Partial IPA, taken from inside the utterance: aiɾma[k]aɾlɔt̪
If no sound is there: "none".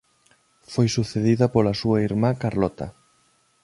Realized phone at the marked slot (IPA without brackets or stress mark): k